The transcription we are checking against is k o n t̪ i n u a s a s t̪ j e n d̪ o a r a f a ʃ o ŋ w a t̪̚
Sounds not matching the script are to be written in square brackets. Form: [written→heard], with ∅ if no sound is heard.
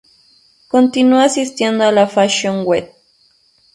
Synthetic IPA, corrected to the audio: k o n t̪ i n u a s [a→i] s t̪ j e n d̪ o a [r→l] a f a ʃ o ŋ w [a→e] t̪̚